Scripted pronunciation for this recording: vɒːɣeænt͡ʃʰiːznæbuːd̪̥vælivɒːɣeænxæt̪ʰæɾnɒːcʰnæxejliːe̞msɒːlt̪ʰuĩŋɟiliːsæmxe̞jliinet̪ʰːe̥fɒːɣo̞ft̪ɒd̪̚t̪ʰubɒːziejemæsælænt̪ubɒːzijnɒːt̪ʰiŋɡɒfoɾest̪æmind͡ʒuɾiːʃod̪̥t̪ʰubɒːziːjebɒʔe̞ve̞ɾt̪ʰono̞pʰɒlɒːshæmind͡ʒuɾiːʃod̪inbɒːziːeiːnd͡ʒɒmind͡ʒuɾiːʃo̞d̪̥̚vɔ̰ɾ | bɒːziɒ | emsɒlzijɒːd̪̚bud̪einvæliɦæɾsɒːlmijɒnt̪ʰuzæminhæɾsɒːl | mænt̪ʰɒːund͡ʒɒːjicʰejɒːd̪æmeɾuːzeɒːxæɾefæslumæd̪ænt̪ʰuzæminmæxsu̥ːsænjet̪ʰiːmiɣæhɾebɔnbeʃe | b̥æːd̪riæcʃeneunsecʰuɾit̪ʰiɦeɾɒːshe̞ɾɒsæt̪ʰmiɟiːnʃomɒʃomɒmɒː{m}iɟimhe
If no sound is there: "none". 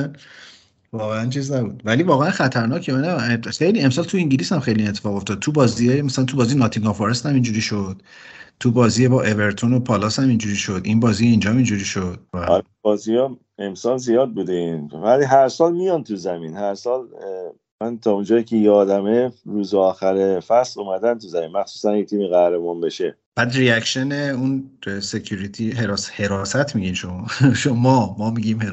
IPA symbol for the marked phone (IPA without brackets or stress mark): m